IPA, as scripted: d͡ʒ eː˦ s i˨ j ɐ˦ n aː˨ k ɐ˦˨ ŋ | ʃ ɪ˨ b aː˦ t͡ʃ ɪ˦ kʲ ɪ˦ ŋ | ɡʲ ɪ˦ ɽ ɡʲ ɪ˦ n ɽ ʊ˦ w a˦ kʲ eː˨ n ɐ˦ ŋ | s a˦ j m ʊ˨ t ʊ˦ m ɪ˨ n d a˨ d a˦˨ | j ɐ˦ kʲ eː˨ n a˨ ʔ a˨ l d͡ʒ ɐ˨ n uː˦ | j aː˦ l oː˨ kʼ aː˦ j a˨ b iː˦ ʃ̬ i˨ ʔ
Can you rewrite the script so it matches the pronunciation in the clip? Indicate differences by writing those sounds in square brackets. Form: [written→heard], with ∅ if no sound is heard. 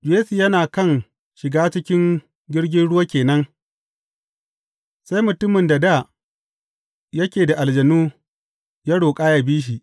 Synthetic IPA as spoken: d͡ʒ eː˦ s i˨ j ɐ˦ n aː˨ k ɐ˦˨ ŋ | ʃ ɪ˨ [b→ɡ] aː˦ t͡ʃ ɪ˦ kʲ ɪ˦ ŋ | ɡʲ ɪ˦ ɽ ɡʲ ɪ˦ n ɽ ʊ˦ w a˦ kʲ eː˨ n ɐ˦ ŋ | s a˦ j m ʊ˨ t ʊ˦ m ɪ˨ n d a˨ d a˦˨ | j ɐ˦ kʲ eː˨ [n→d] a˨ ʔ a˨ l d͡ʒ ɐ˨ n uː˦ | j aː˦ [l→ɽ] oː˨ kʼ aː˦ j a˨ b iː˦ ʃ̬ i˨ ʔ